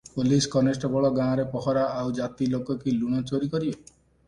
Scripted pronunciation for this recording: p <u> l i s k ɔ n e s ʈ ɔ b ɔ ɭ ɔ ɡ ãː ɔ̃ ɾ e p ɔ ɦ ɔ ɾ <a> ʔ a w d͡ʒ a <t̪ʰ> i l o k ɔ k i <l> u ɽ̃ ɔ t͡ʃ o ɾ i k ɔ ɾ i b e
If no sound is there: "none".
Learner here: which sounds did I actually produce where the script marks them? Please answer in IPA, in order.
o, a, t̪, l

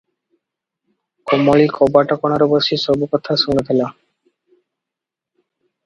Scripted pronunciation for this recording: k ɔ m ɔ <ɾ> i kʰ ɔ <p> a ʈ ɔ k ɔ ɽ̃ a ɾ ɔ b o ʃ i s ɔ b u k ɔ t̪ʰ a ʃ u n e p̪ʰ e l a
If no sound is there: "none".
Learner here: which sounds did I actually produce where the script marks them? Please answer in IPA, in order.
ɭ, b

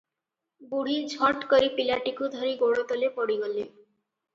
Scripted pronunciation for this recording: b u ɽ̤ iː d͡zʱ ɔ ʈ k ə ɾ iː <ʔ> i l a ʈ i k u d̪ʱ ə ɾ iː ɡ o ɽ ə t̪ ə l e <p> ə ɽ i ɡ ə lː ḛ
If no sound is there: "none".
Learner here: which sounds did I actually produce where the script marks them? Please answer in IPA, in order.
p, p

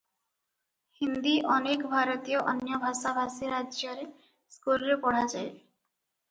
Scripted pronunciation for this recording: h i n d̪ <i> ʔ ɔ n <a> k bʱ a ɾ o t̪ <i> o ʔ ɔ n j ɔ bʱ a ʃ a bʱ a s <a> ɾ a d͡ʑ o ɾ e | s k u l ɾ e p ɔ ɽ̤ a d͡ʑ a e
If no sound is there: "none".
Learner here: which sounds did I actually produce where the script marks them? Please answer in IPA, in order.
i, e, i, i

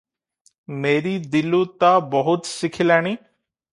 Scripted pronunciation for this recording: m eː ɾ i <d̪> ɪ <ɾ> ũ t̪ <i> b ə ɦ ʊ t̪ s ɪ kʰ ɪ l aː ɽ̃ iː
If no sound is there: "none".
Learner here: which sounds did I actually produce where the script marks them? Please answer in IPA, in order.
d̪, l, a

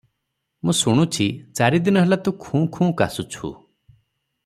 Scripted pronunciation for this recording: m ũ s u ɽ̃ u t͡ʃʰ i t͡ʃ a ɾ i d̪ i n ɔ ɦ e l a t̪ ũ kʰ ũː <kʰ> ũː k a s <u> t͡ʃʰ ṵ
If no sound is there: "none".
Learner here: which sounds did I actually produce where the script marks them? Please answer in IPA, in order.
kʰ, u

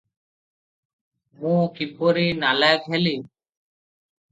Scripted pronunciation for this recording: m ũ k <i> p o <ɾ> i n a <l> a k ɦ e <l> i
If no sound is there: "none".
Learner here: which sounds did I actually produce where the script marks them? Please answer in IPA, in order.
i, ɾ, l, l

